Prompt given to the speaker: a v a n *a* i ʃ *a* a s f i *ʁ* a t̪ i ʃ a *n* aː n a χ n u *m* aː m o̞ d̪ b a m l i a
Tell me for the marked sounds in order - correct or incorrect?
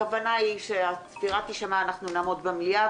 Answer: correct, incorrect: e, correct, incorrect: m, incorrect: n

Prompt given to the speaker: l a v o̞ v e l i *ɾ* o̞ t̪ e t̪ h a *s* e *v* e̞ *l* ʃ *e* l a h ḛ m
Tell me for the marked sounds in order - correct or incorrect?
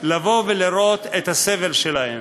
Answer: correct, correct, correct, correct, correct

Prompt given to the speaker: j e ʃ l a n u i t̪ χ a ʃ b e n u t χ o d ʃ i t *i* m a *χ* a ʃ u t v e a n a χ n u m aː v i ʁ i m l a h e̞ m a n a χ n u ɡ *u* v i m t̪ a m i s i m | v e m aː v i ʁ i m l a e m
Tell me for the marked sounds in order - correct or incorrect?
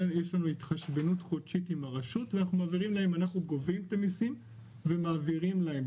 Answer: correct, incorrect: ʁ, incorrect: o

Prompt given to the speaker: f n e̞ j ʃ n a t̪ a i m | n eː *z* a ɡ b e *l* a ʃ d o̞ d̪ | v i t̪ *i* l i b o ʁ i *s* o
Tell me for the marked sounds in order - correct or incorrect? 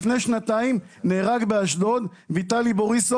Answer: incorrect: ʁ, incorrect: none, incorrect: a, correct

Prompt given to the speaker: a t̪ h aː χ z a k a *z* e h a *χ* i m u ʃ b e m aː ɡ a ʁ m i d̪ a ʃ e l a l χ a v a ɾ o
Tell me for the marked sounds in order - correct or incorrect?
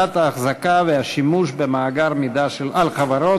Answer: incorrect: v, incorrect: ʃ

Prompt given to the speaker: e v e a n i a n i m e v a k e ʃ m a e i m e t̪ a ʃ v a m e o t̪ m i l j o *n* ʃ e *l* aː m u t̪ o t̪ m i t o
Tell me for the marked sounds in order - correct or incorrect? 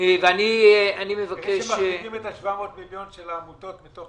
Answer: correct, correct

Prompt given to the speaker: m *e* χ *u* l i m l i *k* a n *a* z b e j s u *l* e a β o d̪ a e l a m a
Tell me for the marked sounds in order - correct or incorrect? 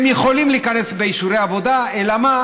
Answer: incorrect: i, incorrect: o, correct, incorrect: e, incorrect: r

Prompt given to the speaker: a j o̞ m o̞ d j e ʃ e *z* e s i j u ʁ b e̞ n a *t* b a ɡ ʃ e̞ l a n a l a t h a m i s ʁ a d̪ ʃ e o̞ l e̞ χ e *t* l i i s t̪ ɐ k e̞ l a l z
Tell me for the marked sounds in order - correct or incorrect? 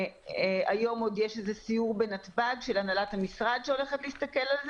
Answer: correct, correct, correct

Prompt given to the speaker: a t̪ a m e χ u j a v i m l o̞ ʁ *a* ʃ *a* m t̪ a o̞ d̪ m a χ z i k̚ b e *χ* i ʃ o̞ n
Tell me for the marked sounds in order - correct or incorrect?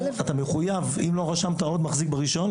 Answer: correct, correct, incorrect: ʁ

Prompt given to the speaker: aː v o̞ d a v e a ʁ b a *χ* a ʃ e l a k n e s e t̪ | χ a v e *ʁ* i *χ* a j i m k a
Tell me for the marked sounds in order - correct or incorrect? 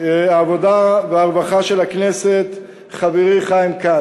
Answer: correct, correct, correct

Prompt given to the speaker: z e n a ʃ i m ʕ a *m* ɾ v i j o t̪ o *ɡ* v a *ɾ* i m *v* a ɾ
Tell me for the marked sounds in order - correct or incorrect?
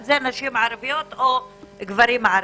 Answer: incorrect: none, correct, correct, incorrect: ʕ

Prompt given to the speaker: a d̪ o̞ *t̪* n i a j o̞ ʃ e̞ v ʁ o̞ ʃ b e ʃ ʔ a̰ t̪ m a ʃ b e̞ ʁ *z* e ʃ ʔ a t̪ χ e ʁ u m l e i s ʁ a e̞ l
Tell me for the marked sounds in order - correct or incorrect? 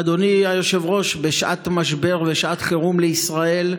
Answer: incorrect: none, incorrect: v

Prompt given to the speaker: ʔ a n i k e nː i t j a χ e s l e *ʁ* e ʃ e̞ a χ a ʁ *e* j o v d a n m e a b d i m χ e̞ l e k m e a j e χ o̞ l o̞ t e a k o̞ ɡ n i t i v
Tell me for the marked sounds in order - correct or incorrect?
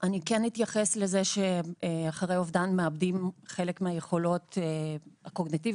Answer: incorrect: z, correct

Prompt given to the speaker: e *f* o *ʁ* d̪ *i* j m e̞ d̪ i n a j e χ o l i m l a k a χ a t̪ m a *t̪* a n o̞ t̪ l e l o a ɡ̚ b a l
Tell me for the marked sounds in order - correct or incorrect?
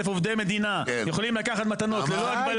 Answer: correct, incorrect: v, incorrect: e, correct

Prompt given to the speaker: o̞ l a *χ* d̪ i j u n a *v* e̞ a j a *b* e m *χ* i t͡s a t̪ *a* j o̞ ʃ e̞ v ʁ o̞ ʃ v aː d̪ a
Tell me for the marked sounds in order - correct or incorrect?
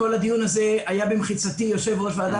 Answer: incorrect: none, incorrect: z, correct, correct, incorrect: i

